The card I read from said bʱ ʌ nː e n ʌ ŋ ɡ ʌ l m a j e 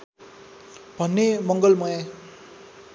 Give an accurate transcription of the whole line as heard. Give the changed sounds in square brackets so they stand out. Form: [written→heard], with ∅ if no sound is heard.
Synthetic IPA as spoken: bʱ ʌ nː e [n→m] ʌ ŋ ɡ ʌ l m [a→ʌ] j [e→a]